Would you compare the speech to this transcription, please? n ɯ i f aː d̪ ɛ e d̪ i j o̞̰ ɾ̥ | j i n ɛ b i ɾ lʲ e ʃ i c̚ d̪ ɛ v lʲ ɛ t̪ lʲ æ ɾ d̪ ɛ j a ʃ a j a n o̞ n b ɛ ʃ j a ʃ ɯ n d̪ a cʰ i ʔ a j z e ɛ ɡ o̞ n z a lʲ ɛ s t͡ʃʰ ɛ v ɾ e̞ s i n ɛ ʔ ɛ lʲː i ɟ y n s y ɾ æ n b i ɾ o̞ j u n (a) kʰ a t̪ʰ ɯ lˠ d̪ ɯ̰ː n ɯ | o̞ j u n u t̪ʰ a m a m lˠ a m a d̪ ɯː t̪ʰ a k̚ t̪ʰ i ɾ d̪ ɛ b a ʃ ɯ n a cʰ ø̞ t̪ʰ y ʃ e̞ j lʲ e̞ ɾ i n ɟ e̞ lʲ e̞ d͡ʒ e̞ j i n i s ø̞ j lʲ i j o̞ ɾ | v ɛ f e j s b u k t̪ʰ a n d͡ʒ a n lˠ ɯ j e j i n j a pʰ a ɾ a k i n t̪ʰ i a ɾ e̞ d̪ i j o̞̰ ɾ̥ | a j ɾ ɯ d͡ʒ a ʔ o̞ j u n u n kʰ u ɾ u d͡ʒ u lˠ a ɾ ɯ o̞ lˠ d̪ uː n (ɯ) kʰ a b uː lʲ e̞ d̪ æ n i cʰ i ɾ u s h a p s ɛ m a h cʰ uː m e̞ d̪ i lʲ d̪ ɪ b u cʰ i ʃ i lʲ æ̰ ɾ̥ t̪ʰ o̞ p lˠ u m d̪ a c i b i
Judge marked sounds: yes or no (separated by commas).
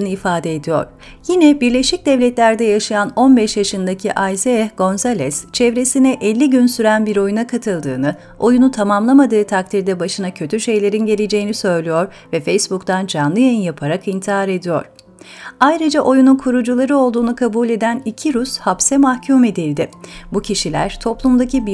yes, no